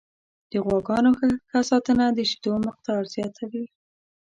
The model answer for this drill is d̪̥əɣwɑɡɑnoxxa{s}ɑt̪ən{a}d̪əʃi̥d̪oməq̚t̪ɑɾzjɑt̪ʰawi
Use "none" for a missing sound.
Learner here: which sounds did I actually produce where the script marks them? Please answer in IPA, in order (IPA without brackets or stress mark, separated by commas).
s, a